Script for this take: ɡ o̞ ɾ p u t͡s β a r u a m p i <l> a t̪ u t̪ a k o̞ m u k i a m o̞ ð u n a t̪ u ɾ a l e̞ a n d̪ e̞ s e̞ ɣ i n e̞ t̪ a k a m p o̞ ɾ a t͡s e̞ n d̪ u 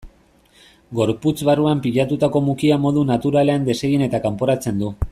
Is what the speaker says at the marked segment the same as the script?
no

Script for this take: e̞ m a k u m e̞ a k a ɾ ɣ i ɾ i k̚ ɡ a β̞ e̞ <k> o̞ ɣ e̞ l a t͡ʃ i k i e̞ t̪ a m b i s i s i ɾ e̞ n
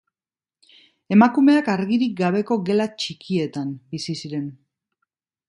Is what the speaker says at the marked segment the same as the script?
yes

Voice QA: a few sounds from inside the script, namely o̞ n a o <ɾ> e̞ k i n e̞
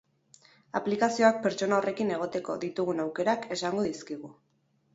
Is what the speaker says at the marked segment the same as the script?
no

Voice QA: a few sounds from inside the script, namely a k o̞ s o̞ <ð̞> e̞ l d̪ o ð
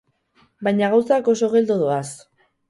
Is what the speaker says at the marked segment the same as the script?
no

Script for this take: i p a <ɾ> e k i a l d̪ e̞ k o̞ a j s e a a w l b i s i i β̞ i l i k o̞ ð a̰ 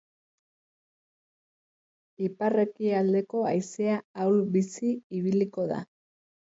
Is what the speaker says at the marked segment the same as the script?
no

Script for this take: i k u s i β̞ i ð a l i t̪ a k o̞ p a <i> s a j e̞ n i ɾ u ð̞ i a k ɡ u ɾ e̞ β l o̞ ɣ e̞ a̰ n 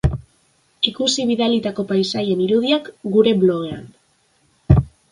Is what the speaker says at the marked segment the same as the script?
no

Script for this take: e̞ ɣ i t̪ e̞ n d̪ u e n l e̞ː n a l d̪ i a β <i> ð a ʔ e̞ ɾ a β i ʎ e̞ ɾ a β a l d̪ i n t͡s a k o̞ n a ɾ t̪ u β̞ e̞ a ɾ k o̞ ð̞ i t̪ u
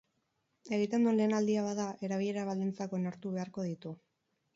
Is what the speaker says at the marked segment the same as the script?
no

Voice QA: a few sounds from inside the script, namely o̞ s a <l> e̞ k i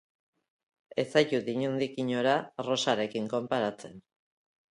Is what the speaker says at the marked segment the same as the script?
no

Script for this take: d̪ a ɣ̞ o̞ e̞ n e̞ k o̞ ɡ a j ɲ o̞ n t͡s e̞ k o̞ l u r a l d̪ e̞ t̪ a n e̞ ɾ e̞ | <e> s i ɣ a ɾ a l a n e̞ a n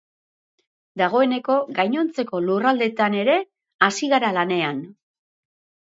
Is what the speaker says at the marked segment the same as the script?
no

